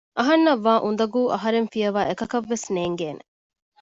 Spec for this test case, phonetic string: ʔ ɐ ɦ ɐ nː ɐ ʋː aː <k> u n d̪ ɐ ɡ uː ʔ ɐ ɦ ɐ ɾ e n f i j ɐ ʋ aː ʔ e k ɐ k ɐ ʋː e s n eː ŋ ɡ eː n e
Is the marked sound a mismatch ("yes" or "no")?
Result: yes